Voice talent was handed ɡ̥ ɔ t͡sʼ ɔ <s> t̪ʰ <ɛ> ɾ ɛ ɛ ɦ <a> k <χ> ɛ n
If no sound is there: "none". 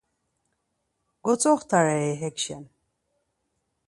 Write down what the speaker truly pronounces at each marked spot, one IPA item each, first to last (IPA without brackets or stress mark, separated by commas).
χ, a, ɛ, ʃ